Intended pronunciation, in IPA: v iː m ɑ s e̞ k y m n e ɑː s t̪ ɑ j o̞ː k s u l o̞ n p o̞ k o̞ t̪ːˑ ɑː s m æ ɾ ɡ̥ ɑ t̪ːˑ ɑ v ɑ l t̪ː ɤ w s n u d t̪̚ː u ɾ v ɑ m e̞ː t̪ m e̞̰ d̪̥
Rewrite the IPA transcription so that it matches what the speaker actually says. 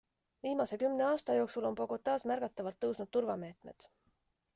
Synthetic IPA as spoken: v iː m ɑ s e̞ k y m n e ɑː s t̪ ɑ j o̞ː k s u l o̞ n p o̞ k o̞ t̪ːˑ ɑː s m æ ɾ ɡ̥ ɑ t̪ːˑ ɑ v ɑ l t̪ː ɤ w s n u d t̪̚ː u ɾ v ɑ m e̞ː t̪ m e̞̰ d̪̥